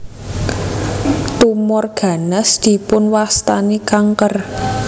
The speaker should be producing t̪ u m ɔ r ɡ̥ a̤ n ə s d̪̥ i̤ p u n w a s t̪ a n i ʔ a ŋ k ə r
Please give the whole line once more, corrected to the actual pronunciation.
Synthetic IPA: t̪ u m ɔ r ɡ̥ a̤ n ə s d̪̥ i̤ p ʊ n w a s t̪ a n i k a ŋ k ə r